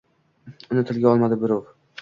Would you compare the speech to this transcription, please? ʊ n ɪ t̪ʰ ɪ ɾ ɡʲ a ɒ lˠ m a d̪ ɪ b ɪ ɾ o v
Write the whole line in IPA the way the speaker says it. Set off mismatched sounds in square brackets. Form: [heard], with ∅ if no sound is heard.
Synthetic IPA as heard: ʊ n ɪ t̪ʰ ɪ [l] ɡʲ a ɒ lˠ m a d̪ ɪ b ɪ ɾ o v